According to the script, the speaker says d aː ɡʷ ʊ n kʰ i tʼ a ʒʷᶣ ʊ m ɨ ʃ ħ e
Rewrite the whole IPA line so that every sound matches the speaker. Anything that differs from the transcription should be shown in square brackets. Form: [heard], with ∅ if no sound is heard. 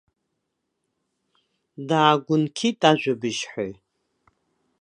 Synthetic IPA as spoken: d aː ɡʷ ʊ n kʰ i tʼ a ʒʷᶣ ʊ [b] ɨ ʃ ħ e